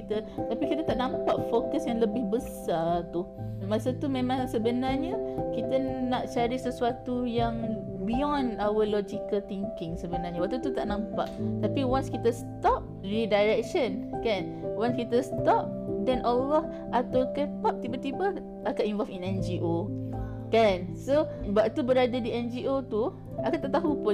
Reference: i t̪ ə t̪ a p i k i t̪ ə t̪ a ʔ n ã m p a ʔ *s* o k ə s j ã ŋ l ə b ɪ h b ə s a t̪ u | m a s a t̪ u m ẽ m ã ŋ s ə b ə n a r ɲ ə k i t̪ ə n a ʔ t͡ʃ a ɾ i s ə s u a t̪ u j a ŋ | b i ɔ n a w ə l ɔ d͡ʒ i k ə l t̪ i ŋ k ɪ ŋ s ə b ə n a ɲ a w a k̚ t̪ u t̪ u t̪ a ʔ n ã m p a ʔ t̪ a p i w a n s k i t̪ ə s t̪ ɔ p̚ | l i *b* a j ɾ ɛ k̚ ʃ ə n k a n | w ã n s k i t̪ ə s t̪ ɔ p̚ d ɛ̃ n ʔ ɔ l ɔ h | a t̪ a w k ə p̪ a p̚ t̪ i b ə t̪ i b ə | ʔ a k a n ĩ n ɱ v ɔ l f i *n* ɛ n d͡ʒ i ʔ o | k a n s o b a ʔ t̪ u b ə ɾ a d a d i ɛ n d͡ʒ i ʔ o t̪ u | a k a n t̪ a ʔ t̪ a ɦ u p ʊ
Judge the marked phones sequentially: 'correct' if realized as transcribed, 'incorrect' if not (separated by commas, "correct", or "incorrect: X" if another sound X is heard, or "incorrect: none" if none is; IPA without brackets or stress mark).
incorrect: f, incorrect: d, correct